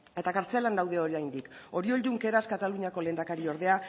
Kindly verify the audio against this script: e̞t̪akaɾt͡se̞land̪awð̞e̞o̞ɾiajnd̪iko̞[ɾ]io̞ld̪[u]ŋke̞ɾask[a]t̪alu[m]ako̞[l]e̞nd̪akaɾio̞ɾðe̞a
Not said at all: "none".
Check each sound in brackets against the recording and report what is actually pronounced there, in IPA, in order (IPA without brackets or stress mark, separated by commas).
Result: ɾ, u, a, ɲ, l